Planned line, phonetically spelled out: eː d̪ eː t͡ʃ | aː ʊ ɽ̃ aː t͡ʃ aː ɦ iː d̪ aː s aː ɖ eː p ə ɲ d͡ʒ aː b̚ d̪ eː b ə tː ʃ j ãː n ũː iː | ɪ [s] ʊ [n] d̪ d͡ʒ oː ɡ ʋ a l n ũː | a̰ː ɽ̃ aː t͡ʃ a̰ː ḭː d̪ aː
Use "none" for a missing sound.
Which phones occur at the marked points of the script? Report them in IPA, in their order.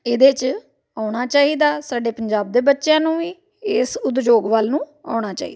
s, none

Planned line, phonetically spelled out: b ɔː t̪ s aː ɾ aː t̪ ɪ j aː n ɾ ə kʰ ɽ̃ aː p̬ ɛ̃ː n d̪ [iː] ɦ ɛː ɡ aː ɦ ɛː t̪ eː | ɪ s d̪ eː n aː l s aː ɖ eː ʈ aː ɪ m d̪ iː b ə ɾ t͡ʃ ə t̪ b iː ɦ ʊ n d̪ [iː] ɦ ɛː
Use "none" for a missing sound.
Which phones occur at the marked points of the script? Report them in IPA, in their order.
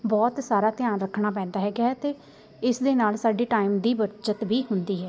aː, iː

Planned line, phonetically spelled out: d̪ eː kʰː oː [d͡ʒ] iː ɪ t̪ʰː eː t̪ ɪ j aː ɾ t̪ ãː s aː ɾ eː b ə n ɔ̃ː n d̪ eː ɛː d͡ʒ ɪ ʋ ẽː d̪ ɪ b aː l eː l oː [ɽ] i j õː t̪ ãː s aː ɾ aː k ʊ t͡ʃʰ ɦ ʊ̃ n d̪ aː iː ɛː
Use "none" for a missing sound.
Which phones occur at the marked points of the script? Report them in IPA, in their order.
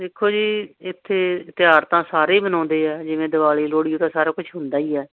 d͡ʒ, ɽ

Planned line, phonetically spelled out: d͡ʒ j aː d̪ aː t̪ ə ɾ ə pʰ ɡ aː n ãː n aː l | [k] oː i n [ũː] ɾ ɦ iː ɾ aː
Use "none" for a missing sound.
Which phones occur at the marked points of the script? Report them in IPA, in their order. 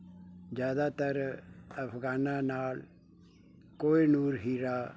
k, uː

